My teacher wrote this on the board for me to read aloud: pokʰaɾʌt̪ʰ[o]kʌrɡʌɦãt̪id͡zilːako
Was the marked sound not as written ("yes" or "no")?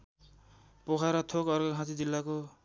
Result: no